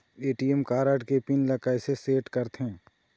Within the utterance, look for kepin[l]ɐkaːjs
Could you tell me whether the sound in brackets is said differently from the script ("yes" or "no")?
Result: no